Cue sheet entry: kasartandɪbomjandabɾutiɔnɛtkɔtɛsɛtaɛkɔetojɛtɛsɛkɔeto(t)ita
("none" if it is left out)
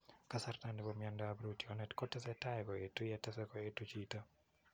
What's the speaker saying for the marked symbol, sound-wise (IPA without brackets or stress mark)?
t͡ʃ